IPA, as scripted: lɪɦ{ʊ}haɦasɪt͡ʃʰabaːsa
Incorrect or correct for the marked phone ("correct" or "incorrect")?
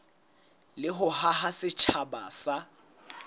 correct